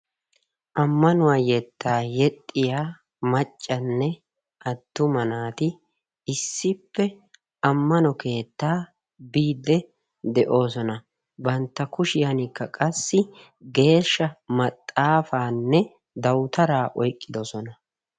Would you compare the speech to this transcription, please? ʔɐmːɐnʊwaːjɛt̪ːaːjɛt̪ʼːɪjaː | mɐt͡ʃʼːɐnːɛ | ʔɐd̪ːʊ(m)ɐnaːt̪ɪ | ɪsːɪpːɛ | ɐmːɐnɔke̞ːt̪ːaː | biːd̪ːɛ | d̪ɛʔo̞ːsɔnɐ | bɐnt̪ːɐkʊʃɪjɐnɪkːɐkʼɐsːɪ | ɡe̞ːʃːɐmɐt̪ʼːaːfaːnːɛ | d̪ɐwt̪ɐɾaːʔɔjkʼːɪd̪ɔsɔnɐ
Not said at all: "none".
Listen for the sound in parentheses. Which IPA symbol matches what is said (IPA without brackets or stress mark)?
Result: m